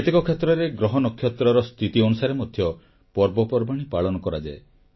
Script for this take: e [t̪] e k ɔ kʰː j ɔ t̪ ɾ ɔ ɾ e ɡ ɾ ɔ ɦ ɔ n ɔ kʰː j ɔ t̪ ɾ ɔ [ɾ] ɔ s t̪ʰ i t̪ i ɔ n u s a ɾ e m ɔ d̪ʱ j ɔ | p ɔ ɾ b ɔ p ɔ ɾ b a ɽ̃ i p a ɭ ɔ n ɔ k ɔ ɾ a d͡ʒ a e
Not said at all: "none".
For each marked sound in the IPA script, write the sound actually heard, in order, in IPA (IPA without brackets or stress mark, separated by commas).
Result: t̪, ɾ